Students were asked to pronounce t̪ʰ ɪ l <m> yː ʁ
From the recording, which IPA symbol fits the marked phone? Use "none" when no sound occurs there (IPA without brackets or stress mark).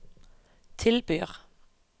b